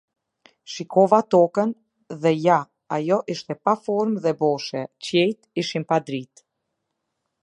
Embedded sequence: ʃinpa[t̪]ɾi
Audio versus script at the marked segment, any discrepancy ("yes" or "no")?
yes